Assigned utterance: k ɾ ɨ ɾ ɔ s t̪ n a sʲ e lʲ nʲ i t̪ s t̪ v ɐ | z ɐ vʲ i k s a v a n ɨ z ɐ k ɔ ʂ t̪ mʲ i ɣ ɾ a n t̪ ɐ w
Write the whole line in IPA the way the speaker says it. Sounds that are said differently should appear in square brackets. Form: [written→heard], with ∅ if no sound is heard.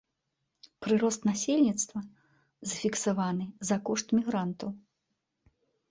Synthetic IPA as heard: [k→p] ɾ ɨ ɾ ɔ s t̪ n a sʲ e lʲ nʲ i t̪ s t̪ v ɐ | z ɐ [vʲ→fʲ] i k s a v a n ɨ z ɐ k ɔ ʂ t̪ mʲ i ɣ ɾ a n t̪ ɐ w